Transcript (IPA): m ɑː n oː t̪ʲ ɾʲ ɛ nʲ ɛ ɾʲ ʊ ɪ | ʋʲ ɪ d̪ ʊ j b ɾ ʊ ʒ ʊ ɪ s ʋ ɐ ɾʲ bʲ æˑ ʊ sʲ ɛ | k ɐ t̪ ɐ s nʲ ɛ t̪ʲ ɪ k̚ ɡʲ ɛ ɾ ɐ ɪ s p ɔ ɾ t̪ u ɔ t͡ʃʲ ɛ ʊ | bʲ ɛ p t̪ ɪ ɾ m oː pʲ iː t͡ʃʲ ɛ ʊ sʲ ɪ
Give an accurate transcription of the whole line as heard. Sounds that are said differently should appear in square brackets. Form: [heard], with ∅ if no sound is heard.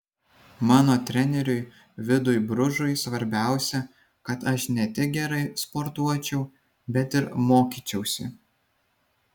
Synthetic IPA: m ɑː n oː t̪ʲ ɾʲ ɛ nʲ ɛ ɾʲ ʊ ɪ | ʋʲ ɪ d̪ ʊ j b ɾ ʊ ʒ ʊ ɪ s ʋ ɐ ɾʲ bʲ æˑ ʊ sʲ ɛ | k ɐ t̪ ɐ [ʃ] nʲ ɛ t̪ʲ ɪ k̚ ɡʲ ɛ ɾ ɐ ɪ s p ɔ ɾ t̪ u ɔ t͡ʃʲ ɛ ʊ | bʲ ɛ [∅] t̪ ɪ ɾ m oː [kʲ] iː t͡ʃʲ ɛ ʊ sʲ ɪ